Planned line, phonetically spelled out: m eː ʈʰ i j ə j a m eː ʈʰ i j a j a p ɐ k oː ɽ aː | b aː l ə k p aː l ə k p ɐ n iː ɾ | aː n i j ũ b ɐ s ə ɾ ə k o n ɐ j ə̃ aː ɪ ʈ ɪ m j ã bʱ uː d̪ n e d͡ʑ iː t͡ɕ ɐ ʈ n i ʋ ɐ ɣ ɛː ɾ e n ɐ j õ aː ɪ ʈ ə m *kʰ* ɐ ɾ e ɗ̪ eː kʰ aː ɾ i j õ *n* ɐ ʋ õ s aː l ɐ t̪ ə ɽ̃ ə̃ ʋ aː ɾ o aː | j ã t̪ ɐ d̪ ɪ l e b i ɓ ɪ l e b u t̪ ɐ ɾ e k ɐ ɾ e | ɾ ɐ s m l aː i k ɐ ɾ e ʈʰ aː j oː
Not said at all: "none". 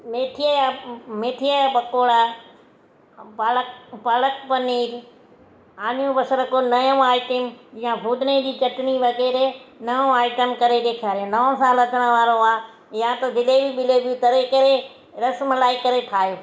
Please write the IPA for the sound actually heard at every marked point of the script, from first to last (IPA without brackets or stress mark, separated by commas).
k, n